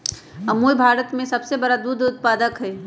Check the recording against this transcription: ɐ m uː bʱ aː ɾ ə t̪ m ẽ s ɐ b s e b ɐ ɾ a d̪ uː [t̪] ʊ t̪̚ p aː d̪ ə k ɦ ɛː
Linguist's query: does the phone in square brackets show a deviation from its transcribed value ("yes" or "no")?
yes